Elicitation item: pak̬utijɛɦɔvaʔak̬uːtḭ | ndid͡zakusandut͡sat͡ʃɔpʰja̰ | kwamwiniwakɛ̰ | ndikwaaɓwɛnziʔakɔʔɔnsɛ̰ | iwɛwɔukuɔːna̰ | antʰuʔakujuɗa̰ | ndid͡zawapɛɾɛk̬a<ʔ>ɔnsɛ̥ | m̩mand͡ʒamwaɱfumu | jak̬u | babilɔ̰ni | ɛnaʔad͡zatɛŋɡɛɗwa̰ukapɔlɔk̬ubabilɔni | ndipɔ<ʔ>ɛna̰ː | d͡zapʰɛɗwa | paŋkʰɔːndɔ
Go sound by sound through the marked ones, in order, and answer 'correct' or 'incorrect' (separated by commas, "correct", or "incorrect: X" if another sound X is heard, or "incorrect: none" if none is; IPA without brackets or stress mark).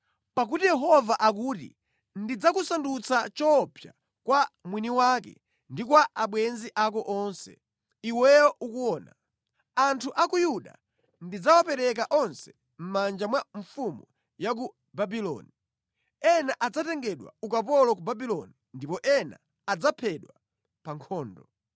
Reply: correct, correct